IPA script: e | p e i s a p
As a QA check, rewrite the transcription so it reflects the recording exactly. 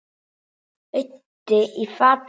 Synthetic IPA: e | t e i f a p